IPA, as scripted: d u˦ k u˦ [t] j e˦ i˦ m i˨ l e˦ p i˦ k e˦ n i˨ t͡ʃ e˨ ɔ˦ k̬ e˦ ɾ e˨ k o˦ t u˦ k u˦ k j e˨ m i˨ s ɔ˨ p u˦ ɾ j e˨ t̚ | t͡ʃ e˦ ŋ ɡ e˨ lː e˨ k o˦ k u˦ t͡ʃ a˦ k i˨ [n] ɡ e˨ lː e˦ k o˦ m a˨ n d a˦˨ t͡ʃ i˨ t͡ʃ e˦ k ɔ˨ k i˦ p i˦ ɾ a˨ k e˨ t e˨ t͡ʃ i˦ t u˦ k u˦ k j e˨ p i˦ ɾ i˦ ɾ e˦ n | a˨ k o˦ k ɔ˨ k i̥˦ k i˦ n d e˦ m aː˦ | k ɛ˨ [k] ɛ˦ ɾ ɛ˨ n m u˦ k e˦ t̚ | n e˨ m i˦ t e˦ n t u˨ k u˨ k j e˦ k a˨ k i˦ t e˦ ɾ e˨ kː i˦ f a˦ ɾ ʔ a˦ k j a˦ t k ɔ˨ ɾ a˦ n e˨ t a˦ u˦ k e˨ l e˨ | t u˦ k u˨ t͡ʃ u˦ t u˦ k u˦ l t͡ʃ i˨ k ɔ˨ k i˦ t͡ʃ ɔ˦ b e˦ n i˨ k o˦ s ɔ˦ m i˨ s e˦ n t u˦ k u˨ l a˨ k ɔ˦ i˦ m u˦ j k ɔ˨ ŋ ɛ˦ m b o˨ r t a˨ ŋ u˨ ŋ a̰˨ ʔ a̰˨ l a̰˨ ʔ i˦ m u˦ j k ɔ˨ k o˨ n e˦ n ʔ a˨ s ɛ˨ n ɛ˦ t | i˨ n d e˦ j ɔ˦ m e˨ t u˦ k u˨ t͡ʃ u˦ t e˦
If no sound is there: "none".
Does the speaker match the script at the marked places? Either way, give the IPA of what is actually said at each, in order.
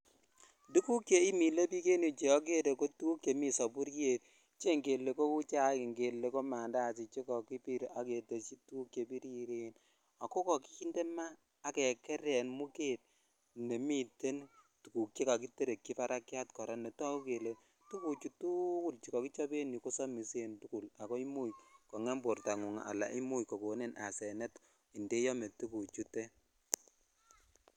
k, ŋ, k

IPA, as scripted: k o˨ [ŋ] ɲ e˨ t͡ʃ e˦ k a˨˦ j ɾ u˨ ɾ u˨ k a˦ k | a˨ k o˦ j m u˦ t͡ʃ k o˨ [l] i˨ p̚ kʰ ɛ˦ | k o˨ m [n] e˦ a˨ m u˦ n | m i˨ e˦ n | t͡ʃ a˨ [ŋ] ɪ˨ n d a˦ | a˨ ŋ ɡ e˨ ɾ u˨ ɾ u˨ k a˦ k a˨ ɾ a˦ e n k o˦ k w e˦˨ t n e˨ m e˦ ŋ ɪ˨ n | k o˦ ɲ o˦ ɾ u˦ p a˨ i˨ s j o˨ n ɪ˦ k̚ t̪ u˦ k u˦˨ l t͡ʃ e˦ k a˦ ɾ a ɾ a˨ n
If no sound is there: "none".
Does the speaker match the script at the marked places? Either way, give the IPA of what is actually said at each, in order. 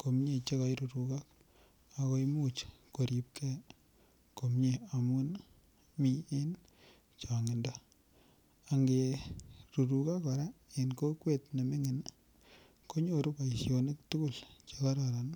m, ɾ, ɲ, ŋ

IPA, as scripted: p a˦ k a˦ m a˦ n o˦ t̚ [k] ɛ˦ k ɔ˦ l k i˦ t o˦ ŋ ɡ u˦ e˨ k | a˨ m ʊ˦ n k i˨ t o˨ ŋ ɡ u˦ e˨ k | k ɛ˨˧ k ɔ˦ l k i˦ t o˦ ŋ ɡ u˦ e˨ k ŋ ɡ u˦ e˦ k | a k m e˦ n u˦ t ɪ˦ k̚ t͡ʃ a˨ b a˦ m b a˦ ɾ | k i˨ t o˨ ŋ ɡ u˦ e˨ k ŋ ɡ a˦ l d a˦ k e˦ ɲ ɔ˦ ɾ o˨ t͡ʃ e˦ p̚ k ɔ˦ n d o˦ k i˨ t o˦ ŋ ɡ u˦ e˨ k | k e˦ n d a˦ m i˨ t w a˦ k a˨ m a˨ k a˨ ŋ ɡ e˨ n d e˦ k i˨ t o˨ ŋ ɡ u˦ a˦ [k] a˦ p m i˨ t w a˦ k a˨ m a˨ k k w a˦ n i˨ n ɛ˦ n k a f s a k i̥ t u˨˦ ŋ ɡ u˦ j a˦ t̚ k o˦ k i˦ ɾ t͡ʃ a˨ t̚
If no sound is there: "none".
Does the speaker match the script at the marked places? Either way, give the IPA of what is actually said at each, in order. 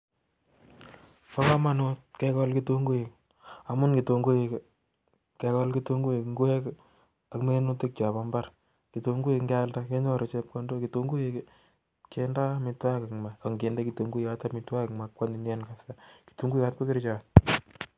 k, t

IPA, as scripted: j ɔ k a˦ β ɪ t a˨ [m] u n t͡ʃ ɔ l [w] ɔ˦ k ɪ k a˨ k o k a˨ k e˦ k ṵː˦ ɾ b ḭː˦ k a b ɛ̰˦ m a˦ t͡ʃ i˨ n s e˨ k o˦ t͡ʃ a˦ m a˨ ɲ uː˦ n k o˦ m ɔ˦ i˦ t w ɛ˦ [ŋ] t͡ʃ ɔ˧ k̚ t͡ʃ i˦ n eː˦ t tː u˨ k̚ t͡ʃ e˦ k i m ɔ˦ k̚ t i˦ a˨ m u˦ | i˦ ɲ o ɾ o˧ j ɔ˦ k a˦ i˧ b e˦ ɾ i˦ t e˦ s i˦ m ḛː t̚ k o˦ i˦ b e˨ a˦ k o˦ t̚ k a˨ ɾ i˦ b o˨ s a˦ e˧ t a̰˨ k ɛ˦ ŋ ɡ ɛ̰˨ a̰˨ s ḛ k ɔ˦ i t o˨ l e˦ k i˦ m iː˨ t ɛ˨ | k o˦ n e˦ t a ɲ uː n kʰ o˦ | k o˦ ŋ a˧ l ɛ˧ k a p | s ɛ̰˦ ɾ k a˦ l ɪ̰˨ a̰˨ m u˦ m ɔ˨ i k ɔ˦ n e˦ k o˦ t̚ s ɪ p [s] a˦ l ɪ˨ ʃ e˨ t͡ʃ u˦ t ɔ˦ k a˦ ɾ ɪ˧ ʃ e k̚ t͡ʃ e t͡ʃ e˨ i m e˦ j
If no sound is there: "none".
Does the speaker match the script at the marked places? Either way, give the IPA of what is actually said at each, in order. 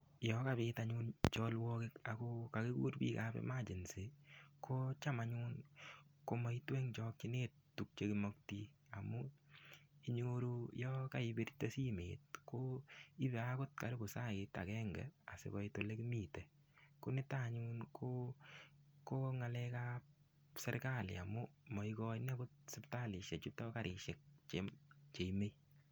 ɲ, w, ŋ, t

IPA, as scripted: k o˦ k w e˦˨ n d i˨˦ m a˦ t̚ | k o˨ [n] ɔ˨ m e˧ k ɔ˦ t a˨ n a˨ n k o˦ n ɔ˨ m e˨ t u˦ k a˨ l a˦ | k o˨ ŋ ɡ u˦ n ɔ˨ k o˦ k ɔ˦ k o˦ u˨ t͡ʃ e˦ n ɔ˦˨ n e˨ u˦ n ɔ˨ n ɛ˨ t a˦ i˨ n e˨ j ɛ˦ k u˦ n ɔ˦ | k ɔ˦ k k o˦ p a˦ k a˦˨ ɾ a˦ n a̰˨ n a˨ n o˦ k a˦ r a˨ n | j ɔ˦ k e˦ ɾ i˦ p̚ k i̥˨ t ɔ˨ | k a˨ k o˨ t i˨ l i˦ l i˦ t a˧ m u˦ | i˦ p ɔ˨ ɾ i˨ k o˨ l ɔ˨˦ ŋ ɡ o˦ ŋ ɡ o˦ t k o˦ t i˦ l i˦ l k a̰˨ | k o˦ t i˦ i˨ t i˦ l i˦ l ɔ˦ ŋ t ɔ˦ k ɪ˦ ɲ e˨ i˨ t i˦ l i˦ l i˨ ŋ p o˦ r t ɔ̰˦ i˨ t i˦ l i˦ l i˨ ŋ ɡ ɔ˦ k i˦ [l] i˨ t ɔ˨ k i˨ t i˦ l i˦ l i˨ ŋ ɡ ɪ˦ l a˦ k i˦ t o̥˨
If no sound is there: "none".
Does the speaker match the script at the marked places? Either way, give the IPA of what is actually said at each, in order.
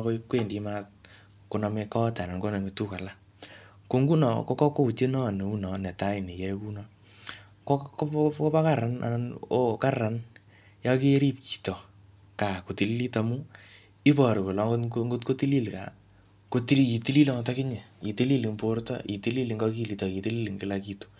n, l

